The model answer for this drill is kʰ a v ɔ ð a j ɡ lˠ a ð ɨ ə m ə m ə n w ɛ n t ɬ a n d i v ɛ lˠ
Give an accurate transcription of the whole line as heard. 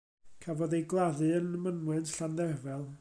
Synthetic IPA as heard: kʰ a v ɔ ð e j ɡ lˠ a ð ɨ ə n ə m ə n w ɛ n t ɬ a n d ɛ v ɛ lˠ